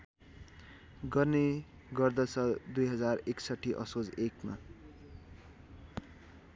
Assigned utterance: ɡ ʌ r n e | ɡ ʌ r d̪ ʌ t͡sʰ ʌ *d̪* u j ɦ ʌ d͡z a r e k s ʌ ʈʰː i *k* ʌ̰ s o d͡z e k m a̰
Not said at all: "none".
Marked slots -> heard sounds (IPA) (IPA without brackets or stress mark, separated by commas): d̪, ʔ